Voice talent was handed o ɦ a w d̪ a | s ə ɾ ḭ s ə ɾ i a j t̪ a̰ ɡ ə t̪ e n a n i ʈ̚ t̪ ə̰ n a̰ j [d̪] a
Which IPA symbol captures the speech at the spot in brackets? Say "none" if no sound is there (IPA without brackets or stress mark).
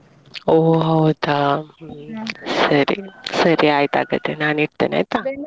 t̪